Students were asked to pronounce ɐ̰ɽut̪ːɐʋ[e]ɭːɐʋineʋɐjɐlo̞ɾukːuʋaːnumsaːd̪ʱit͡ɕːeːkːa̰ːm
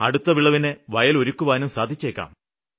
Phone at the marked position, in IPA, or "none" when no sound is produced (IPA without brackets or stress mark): i